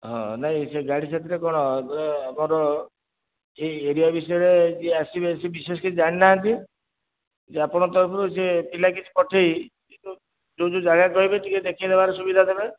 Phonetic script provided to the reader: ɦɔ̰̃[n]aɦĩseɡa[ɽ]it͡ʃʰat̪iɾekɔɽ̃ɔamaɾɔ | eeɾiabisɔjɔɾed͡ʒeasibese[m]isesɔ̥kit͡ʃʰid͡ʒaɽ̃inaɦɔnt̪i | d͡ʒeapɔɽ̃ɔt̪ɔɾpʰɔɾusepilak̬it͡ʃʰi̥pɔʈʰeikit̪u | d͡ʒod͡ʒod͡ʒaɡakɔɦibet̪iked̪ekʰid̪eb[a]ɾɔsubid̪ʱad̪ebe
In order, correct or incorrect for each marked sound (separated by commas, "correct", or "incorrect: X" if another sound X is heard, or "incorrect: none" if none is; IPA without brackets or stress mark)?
correct, correct, incorrect: b, correct